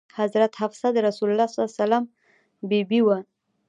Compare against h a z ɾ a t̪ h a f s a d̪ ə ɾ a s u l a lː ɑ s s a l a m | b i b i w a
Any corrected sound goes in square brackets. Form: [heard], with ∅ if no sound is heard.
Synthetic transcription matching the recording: h a z ɾ a t̪ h a f s a d̪ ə ɾ a s u l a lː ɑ s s a l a m | b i b i w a